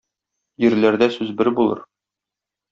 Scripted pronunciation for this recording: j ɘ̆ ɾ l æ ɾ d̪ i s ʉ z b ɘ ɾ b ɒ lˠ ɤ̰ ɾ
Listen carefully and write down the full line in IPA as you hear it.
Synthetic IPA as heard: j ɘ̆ ɾ l æ ɾ d̪ æ s ʉ z b ɘ ɾ b u lˠ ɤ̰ ɾ